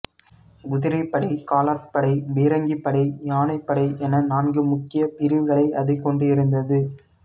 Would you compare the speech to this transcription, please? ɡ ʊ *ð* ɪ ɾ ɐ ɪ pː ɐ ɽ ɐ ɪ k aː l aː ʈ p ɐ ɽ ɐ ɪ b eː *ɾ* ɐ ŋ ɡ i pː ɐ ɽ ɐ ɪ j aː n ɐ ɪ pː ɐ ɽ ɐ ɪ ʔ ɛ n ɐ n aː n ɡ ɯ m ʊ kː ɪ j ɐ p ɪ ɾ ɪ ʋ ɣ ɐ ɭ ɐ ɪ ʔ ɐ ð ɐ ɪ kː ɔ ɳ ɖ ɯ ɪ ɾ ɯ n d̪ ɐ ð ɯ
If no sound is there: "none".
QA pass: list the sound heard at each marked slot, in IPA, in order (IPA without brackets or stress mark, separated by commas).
ð, ɾ